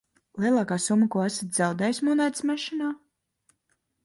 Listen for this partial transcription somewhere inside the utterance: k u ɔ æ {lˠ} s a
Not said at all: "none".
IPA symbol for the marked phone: none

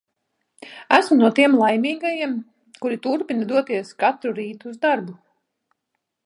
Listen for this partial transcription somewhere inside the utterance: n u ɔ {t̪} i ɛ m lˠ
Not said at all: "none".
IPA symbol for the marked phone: t̪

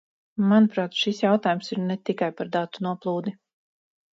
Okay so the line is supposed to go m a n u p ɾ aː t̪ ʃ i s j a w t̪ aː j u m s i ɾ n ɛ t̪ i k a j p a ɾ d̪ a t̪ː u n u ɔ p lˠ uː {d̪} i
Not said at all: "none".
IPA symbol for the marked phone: d̪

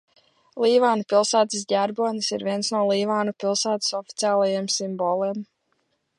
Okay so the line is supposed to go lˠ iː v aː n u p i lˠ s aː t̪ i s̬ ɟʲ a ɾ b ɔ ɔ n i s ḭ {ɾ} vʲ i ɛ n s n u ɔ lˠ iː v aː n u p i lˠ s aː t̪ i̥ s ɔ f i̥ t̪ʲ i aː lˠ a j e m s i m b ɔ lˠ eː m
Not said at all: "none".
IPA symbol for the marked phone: ɾ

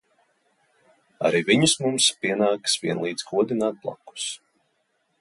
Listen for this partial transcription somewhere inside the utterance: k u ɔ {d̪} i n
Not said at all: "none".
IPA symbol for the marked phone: d̪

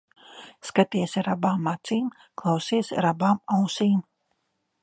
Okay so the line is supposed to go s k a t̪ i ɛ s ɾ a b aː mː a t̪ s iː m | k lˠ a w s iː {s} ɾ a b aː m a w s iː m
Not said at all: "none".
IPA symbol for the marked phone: s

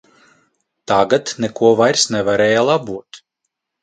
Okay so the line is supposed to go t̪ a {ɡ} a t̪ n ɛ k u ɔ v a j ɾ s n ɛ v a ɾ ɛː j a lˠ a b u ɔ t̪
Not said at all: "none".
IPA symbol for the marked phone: ɡ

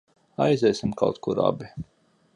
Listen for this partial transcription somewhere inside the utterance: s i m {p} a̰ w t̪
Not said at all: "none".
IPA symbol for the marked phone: k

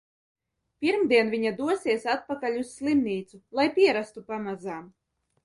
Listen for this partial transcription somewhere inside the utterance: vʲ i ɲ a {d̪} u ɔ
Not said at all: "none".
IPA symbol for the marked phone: d̪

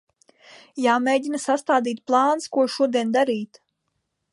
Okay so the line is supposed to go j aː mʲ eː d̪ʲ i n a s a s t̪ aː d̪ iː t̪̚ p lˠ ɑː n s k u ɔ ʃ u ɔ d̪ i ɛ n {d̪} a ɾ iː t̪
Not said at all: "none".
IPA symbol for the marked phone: d̪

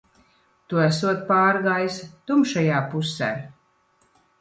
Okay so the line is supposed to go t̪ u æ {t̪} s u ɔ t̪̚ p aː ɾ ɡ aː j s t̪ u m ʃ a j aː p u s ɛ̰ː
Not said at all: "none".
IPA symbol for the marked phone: none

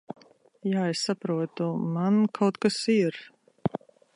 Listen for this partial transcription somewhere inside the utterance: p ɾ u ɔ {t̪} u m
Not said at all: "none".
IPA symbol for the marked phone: t̪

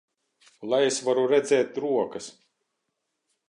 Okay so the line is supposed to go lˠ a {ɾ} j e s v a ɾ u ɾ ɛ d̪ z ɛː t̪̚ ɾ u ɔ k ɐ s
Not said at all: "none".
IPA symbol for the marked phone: none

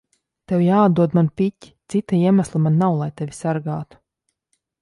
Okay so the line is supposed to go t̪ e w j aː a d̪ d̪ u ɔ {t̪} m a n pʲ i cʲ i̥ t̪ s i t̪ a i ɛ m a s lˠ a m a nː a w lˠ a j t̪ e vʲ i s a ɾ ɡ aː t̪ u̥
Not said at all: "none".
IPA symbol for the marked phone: d̪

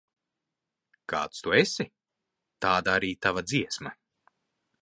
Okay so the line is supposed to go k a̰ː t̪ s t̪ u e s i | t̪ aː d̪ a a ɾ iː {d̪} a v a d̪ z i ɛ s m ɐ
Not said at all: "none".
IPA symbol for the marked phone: t̪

